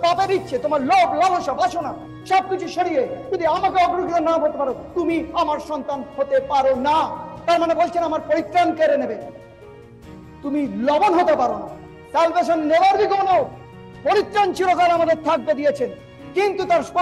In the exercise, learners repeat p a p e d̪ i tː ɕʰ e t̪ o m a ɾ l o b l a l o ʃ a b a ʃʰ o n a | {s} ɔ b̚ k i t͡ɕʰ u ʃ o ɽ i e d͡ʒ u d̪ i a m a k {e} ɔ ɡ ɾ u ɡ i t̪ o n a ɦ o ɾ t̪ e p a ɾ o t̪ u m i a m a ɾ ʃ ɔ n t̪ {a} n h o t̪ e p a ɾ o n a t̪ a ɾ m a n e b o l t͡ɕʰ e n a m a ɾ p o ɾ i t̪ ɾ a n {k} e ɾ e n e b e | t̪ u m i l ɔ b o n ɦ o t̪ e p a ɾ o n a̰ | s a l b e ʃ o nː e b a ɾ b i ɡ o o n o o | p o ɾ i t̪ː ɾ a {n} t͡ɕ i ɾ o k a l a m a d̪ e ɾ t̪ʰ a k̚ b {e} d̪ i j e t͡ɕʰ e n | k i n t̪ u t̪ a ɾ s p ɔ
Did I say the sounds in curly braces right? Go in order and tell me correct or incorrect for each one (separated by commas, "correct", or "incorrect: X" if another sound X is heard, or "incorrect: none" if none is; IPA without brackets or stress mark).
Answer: incorrect: ʃ, correct, correct, correct, correct, correct